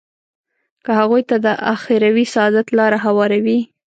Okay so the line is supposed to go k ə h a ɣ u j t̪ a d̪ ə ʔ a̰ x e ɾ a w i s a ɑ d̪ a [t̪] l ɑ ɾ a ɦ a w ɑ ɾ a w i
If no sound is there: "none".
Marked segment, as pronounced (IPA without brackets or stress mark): t̪